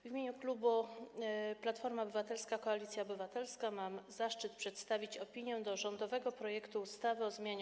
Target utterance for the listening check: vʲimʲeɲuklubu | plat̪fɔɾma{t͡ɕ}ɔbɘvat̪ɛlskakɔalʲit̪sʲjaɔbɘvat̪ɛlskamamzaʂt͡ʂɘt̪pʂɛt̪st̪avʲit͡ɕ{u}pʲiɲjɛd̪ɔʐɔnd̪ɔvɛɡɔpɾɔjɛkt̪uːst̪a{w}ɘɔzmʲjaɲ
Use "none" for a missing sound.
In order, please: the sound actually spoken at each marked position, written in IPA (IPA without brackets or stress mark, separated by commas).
none, ɔ, v